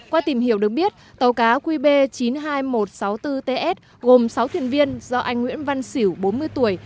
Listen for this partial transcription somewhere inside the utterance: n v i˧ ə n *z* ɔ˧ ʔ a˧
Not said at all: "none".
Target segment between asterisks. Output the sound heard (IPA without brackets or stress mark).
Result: z